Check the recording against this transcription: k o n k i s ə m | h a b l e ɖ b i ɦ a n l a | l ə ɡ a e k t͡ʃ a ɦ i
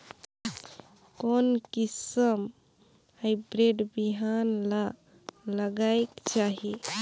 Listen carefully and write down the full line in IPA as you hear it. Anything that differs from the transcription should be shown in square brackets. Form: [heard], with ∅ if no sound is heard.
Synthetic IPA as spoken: k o n k i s ə m | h a b [ɾ] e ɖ b i ɦ a n l a | l ə ɡ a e k t͡ʃ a ɦ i